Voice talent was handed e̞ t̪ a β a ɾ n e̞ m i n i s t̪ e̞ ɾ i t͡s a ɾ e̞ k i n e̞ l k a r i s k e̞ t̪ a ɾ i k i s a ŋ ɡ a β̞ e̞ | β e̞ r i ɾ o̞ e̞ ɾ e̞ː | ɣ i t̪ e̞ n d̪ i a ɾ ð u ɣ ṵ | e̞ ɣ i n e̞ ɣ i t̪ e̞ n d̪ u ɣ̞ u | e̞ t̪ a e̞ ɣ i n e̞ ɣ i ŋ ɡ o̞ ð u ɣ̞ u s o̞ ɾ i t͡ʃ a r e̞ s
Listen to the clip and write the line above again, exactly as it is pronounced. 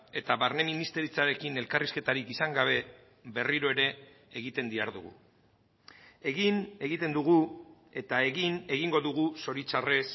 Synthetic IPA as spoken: e̞ t̪ a β a ɾ n e̞ m i n i s t̪ e̞ ɾ i t͡s a ɾ e̞ k i n e̞ l k a r i s k e̞ t̪ a ɾ i k i s a ŋ ɡ a β̞ e̞ | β e̞ r i ɾ o̞ e̞ ɾ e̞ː | ɣ i t̪ e̞ n d̪ i a ɾ ð u ɣ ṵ | e̞ ɣ i n e̞ ɣ i t̪ e̞ n d̪ u ɣ̞ u | e̞ t̪ a e̞ ɣ i n e̞ ɣ i ŋ ɡ o̞ ð u ɣ̞ u s o̞ ɾ i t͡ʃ a r e̞ s